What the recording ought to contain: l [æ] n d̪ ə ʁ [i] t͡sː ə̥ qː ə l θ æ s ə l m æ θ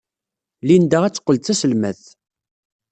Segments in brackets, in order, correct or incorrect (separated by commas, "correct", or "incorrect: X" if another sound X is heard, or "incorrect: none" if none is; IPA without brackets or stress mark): incorrect: i, incorrect: æ